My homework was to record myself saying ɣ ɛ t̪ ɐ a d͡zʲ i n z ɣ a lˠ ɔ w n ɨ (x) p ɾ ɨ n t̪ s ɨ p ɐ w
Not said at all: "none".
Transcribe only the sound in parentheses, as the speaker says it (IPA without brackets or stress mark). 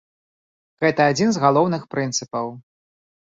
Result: x